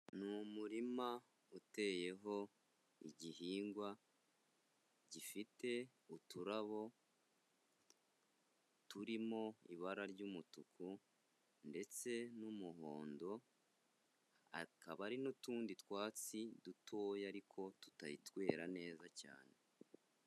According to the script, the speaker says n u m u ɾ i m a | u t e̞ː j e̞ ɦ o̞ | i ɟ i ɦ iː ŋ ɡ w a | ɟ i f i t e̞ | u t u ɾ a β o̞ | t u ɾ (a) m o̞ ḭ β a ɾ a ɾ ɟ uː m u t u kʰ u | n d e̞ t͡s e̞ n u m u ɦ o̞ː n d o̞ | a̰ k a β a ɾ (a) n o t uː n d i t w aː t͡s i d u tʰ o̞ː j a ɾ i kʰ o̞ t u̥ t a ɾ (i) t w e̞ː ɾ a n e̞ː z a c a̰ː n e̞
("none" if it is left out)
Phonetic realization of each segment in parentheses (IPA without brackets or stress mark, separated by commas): i, i, i